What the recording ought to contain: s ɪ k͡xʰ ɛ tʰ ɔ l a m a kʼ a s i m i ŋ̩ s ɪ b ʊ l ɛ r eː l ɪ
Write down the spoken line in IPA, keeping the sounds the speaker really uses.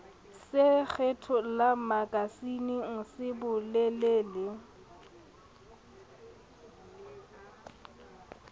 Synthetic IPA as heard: s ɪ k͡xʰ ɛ tʰ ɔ l a m a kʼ a s i n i ŋ̩ s ɪ b ʊ l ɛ l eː l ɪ